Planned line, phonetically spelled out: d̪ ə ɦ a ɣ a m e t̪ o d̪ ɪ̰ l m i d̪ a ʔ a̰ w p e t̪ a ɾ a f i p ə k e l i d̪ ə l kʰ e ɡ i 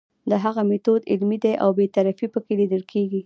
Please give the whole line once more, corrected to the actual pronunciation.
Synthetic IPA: d̪ ə ɦ a ɣ a m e t̪ o d̪ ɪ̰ l m i d̪ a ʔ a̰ w b e t̪ a ɾ a f i p ə k e l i d̪ ə l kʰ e ɡ i